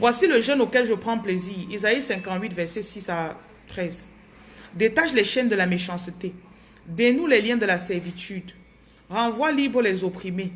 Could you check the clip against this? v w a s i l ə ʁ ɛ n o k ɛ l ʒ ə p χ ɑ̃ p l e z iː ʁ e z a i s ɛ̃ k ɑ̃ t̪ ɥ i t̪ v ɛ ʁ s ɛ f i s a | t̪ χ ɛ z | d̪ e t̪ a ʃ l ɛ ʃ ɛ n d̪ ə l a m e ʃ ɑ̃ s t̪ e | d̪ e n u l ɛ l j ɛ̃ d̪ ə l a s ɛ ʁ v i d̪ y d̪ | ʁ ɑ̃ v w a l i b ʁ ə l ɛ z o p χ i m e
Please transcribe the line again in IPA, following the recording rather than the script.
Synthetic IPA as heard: v w a s i l ə ʒ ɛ n o k ɛ l ʒ ə p χ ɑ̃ p l e z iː ʁ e z a i s ɛ̃ k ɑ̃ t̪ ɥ i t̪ v ɛ ʁ s ɛ s i s a | t̪ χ ɛ z | d̪ e t̪ a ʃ l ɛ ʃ ɛ n d̪ ə l a m e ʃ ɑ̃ s t̪ e | d̪ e n u l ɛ l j ɛ̃ d̪ ə l a s ɛ ʁ v i t̪ y d̪ | ʁ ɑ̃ v w a l i b ʁ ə l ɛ z o p χ i m e